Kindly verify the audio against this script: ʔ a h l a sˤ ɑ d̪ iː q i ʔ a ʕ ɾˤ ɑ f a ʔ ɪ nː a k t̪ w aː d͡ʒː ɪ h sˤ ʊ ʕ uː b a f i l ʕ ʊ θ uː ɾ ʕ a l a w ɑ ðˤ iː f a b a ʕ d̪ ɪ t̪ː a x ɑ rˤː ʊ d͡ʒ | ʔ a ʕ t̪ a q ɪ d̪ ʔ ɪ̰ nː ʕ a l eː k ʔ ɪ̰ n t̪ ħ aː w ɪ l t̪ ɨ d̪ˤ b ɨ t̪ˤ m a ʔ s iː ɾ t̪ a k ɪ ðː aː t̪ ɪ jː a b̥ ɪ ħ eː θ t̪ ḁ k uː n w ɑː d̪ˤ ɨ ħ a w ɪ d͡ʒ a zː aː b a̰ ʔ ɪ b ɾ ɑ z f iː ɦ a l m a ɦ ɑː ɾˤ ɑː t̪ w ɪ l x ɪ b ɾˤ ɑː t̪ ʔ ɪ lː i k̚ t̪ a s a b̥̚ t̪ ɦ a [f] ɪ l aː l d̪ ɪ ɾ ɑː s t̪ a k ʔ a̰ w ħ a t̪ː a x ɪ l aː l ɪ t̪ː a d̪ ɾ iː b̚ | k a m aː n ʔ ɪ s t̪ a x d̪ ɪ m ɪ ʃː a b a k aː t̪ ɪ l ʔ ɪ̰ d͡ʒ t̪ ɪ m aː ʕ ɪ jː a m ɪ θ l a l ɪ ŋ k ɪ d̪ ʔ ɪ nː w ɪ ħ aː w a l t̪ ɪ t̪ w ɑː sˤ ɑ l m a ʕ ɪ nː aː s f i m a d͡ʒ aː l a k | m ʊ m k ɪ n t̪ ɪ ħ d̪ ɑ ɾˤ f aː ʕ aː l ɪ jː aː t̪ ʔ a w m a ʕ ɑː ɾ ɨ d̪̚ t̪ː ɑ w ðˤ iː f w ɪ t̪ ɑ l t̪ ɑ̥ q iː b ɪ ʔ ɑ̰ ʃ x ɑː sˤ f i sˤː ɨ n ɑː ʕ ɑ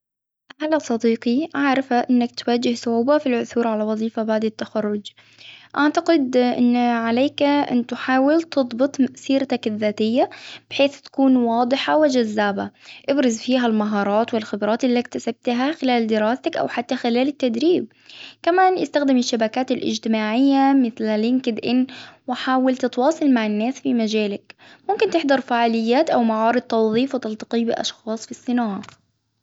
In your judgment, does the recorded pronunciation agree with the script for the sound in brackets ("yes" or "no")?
no